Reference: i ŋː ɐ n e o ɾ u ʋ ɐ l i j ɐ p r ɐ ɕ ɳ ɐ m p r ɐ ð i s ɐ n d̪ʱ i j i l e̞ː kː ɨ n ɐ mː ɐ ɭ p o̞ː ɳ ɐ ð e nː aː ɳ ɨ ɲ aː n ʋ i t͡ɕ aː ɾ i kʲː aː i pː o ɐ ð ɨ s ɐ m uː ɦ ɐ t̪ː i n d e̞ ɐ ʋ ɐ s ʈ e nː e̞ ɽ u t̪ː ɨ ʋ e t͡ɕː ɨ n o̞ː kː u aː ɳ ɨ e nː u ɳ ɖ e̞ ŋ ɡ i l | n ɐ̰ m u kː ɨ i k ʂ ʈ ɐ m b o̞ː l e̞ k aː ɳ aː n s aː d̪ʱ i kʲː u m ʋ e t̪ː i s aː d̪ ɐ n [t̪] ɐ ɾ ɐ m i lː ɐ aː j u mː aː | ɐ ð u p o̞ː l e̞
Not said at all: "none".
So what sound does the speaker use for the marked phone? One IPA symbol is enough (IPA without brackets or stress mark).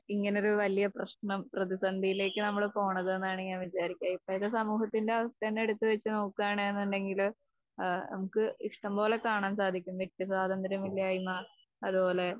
d̪